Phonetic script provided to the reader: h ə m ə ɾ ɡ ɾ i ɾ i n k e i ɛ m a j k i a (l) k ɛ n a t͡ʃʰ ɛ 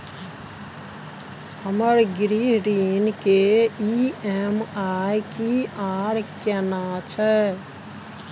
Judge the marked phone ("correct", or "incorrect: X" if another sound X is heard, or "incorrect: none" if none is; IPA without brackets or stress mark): incorrect: ɾ